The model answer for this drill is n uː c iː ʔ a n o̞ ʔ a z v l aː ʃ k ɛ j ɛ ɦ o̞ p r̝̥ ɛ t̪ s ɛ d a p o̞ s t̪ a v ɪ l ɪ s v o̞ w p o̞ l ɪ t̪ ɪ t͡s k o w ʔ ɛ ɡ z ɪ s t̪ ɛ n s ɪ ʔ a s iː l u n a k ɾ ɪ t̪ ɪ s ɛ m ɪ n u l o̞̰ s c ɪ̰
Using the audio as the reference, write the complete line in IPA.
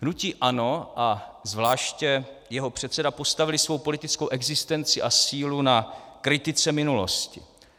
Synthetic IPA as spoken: n u c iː ʔ a n o̞ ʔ a z v l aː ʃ c ɛ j ɛ ɦ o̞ p r̝̥ ɛ t̪ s ɛ d a p o̞ s t̪ a v ɪ l ɪ s v o̞ w p o̞ l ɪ t̪ ɪ t͡s k o w ʔ ɛ ɡ z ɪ s t̪ ɛ n t͡s ɪ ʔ a s iː l u n a k ɾ ɪ t̪ ɪ t͡s ɛ m ɪ n u l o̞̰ s c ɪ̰